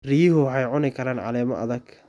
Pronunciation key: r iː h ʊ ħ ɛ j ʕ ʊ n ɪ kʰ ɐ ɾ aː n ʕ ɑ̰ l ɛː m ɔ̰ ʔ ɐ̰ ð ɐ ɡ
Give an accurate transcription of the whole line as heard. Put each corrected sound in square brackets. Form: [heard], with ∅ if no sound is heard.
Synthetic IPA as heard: r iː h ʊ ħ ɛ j ʕ ʊ n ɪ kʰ ɐ ɾ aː n ʕ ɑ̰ l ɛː m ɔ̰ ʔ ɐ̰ ð ɐ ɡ